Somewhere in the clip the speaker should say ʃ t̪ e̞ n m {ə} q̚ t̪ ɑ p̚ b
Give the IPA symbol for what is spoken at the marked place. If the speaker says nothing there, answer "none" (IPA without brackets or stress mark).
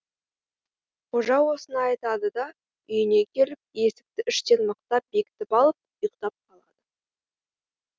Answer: ə